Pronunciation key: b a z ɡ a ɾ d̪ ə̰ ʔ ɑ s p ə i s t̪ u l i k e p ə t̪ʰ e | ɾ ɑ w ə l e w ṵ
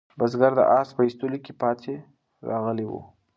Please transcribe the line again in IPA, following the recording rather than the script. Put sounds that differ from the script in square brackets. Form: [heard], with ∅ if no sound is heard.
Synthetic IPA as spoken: b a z ɡ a ɾ d̪ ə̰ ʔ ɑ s p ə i s t̪ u l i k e p [ɑ] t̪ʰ e | ɾ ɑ [ɣ] ə l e w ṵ